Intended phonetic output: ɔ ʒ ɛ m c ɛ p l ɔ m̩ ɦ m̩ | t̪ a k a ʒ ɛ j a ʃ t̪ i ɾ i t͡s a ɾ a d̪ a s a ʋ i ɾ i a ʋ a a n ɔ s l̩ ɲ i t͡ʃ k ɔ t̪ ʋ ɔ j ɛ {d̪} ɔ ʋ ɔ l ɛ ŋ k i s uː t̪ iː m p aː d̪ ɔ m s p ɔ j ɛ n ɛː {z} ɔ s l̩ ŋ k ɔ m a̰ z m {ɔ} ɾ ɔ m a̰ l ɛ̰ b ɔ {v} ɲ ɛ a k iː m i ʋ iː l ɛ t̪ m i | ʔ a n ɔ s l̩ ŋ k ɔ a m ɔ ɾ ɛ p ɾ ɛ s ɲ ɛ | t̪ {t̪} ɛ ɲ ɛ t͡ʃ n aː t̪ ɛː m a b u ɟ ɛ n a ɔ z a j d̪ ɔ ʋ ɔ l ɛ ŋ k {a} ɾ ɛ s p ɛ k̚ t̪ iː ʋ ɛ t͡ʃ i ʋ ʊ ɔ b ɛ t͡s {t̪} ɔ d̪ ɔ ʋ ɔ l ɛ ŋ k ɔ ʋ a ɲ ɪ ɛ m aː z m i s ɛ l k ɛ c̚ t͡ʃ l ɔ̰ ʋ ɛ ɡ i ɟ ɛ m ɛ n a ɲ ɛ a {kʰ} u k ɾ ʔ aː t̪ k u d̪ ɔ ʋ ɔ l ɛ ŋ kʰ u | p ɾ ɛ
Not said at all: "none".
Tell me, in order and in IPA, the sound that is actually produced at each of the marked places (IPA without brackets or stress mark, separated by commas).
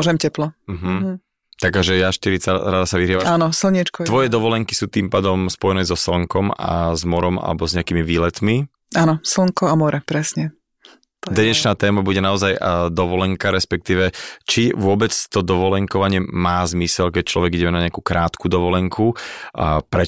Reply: d̪, z, ɔ, z, d̪, a, t̪, k